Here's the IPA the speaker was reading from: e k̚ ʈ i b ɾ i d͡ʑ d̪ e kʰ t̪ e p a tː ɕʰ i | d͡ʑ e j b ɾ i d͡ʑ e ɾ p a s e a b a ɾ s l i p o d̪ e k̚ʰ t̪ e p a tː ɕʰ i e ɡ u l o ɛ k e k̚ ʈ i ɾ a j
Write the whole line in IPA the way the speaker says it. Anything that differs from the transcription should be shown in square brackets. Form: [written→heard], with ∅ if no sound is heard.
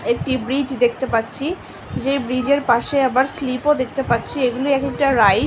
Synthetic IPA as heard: e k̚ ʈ i b ɾ i d͡ʑ d̪ e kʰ t̪ e p a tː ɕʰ i | d͡ʑ e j b ɾ i d͡ʑ e ɾ p a [s→ʃ] e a b a ɾ s l i p o d̪ e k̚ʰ t̪ e p a tː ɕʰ i e ɡ u l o ɛ k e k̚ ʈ [i→a] ɾ a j